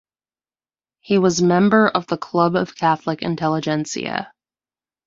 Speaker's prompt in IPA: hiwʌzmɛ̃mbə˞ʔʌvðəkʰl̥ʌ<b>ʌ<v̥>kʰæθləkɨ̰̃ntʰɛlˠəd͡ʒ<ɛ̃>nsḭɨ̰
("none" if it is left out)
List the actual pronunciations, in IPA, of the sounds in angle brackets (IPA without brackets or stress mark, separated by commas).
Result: b, v̥, ɛ̃